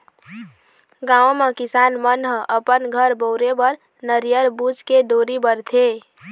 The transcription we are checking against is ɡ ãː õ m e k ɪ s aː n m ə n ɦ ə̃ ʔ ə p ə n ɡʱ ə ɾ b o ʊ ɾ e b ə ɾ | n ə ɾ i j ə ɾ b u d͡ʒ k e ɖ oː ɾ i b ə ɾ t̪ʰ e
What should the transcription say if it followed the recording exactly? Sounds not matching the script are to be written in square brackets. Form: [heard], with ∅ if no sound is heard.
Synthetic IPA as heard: ɡ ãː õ m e k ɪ s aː n m ə n ɦ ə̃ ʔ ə p ə n ɡʱ ə ɾ b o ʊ ɾ e b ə ɾ | n ə ɾ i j ə ɾ b u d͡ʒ k e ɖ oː ɾ i b ə ɾ t̪ʰ e